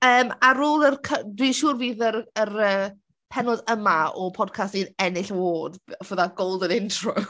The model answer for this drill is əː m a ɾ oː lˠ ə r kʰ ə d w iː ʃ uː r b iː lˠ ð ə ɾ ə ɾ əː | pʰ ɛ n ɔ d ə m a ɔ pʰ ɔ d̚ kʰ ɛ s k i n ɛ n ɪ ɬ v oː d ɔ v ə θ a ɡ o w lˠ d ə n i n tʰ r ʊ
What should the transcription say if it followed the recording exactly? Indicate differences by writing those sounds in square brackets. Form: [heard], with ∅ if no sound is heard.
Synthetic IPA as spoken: əː m a ɾ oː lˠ ə r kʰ ə d w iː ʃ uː r [v] iː [∅] ð ə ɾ ə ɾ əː | pʰ ɛ n ɔ d ə m a ɔ pʰ ɔ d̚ kʰ [a] s [t] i n ɛ n ɪ ɬ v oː d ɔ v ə [ð] a ɡ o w lˠ d ə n [ɪ] n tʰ r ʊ